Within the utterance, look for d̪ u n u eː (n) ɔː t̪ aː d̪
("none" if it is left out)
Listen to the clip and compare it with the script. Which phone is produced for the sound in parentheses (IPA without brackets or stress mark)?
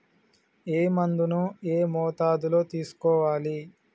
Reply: m